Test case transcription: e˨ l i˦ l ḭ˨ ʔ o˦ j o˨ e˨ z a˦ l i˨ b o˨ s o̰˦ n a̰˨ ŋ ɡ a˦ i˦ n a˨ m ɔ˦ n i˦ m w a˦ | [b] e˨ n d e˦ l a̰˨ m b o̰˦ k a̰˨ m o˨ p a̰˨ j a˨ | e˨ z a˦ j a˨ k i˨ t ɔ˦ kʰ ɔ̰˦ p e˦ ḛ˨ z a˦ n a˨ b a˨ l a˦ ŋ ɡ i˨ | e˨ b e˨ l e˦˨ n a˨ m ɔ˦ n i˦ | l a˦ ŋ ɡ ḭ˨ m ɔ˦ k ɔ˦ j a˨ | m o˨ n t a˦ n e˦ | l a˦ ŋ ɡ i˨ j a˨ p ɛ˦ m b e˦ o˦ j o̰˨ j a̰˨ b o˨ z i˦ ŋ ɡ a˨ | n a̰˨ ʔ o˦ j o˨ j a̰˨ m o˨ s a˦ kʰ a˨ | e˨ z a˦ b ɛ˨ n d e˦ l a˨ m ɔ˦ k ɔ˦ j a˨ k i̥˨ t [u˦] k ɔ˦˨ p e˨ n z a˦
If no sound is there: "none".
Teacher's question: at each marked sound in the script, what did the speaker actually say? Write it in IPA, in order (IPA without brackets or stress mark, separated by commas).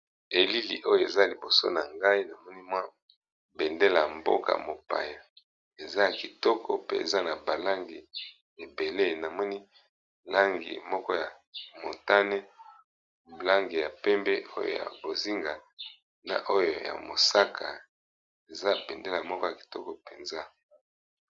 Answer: b, ɔ˦